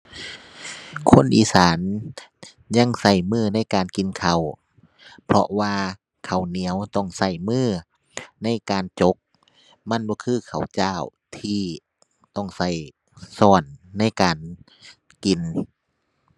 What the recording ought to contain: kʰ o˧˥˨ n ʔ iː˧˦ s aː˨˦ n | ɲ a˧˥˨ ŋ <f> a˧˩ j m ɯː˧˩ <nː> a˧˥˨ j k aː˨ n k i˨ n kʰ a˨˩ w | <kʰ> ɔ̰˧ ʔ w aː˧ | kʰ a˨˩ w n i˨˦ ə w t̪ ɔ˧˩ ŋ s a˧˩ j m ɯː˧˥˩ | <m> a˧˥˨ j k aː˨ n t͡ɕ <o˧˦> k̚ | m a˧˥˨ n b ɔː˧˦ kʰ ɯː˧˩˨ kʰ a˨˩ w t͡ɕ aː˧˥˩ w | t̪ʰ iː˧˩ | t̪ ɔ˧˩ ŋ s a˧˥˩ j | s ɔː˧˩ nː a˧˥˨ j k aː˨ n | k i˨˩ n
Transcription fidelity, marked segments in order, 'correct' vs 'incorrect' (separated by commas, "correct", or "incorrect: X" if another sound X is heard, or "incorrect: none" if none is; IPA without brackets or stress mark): incorrect: s, incorrect: n, incorrect: pʰ, incorrect: n, correct